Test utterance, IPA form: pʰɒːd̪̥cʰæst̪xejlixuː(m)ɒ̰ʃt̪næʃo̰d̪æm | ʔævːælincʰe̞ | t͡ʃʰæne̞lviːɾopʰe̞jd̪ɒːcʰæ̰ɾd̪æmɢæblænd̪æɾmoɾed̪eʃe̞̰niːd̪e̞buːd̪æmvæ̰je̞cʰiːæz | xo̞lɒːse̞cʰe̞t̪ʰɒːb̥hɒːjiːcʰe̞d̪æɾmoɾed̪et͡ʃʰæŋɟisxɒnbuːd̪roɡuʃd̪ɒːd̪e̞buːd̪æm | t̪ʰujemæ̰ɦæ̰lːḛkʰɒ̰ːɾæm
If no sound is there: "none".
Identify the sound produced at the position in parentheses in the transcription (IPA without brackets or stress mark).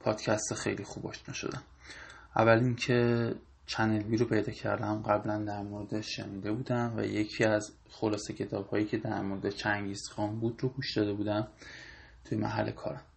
b